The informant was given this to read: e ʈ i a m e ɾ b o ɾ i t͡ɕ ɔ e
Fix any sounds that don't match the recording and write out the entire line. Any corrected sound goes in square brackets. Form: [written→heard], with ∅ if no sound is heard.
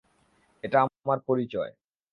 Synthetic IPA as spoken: e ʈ [i→a] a m [e→a] ɾ [b→p] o ɾ i t͡ɕ ɔ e